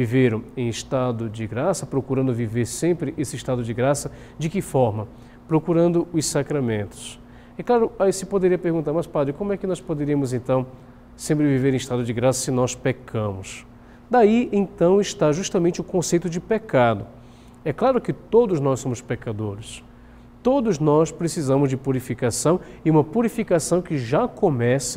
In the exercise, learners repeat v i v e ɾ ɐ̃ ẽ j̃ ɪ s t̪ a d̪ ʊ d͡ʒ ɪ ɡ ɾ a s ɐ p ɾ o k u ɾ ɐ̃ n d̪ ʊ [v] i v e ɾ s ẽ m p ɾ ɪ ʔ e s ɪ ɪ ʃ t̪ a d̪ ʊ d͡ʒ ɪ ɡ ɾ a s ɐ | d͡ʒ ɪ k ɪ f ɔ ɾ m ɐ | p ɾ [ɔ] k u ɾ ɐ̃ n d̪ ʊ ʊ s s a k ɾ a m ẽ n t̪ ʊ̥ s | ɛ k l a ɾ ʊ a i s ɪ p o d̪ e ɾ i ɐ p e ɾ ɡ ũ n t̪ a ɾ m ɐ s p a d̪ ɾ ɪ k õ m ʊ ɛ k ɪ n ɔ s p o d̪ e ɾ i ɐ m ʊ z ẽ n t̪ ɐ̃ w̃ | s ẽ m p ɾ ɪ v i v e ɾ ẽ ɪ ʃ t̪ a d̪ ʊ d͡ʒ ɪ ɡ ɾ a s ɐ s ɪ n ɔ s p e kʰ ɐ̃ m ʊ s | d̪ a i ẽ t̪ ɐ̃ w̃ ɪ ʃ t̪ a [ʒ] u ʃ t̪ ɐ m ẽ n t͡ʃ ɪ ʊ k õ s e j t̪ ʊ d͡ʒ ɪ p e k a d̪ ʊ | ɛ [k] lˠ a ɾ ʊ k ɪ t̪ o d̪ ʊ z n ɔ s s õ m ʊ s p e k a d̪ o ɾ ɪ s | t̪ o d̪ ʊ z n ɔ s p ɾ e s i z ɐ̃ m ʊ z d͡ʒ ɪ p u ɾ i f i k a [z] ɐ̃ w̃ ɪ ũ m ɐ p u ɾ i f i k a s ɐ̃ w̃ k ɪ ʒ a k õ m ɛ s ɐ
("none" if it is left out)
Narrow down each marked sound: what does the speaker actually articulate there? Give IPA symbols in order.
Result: v, o, ʒ, k, s

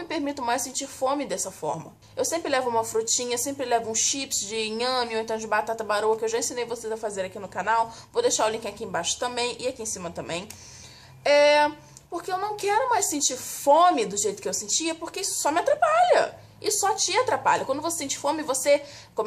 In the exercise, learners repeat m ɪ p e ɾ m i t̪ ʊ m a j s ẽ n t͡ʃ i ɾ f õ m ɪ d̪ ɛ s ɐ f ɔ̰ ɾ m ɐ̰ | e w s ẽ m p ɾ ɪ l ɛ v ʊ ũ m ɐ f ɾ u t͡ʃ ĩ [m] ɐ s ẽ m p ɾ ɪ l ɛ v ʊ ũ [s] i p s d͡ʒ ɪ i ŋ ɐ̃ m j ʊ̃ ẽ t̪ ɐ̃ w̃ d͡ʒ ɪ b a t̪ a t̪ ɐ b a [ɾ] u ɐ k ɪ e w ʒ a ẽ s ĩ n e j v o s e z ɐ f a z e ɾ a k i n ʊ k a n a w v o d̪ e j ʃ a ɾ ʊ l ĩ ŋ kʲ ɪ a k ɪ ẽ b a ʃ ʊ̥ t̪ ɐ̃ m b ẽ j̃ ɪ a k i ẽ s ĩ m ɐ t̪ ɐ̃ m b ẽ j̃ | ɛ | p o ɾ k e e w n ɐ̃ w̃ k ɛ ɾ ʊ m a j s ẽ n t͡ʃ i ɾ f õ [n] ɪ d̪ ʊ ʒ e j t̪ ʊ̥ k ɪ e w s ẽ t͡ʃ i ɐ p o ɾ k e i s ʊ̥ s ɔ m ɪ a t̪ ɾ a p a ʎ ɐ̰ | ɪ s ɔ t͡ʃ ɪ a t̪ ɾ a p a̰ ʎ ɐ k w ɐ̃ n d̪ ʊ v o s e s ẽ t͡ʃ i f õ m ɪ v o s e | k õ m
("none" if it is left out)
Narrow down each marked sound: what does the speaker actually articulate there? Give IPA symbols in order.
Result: ɲ, ʃ, ɾ, m

